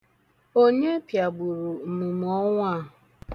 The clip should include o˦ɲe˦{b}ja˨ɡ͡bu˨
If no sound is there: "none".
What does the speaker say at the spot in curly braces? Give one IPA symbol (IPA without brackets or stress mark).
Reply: p